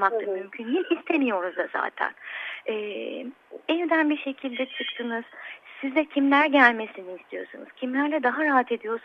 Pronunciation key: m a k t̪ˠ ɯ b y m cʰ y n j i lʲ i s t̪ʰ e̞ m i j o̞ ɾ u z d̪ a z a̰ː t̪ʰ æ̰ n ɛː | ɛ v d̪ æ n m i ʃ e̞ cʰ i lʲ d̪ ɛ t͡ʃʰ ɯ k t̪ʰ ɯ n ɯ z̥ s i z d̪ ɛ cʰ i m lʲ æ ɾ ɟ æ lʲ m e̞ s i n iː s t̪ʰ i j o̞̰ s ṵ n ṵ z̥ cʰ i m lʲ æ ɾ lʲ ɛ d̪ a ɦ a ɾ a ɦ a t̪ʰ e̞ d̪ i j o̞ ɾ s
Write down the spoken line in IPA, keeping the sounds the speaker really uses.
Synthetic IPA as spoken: m a k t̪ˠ ɯ m y m cʰ y n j i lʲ i s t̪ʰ e̞ m i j o̞ ɾ u z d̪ a z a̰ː t̪ʰ æ̰ n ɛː | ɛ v d̪ æ n b i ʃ e̞ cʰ i lʲ d̪ ɛ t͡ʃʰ ɯ k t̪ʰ ɯ n ɯ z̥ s i z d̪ ɛ cʰ i m lʲ æ ɾ ɟ æ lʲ m e̞ s i n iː s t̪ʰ i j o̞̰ s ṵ n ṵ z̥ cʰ i m lʲ æ ɾ lʲ ɛ d̪ a ɦ a ɾ a ɦ a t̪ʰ e̞ d̪ i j o̞ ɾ s